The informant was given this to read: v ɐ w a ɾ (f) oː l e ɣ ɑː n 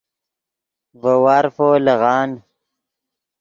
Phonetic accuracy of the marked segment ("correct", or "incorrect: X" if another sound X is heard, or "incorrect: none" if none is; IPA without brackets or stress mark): correct